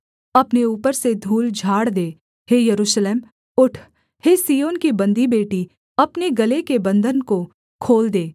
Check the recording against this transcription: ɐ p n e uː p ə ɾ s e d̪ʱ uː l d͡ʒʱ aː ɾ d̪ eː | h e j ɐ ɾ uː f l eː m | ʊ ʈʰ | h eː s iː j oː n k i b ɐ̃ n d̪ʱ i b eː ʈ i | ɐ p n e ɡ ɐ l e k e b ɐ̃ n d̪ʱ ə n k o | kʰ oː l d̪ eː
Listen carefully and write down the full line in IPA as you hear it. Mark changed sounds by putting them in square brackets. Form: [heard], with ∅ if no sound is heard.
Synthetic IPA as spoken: ɐ p n e uː p ə ɾ s e d̪ʱ uː l d͡ʒʱ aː [ɽ] d̪ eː | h e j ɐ ɾ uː [ʃ] l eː m | ʊ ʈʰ | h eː s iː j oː n k i b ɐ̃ n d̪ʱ i b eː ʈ i | ɐ p n e ɡ ɐ l e k e b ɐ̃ n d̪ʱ ə n k o | kʰ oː l d̪ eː